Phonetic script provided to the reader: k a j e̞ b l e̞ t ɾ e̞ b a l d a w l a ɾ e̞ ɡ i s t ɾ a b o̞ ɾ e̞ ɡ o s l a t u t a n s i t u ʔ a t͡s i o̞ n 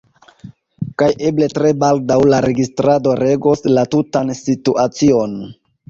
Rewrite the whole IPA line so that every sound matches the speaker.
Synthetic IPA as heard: k a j e̞ b l e̞ t ɾ e̞ b a l d a w l a ɾ e̞ ɡ i s t ɾ a d o̞ ɾ e̞ ɡ o s l a t u t a n s i t u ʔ a t͡s i o̞ n